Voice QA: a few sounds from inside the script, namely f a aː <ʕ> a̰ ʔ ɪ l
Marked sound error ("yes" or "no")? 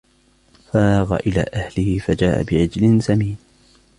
yes